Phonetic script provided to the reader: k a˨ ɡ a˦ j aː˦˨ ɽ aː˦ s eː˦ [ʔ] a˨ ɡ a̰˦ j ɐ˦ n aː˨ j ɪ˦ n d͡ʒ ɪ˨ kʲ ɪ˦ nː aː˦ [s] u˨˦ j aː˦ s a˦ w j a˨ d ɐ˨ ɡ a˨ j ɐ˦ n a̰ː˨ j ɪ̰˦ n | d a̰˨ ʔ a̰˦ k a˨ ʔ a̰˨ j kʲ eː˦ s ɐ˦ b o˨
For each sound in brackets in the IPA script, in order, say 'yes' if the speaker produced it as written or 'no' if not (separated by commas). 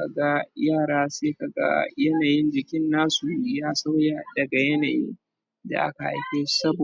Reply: no, yes